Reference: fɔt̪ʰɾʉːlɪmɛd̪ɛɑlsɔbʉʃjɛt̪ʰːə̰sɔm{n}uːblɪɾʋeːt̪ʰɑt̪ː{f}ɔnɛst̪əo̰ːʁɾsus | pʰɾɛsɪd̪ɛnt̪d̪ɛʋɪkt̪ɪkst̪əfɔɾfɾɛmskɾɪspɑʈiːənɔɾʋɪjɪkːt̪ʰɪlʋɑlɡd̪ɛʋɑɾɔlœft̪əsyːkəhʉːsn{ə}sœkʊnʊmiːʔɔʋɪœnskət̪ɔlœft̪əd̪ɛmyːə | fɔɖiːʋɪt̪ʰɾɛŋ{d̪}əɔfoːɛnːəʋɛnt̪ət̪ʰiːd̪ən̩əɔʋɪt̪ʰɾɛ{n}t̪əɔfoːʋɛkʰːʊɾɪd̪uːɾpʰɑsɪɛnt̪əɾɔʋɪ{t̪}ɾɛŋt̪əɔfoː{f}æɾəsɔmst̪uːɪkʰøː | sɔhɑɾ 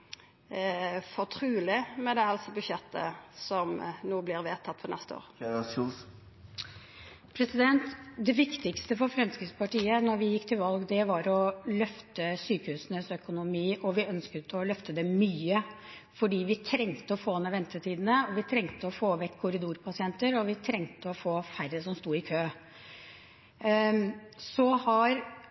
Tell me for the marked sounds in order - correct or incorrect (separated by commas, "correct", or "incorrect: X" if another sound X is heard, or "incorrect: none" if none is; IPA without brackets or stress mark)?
correct, correct, correct, incorrect: t̪, incorrect: ŋ, incorrect: t̪ʰ, correct